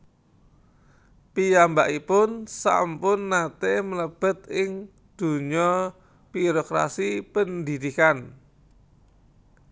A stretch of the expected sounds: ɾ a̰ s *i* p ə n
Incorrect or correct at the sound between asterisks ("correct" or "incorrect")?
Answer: correct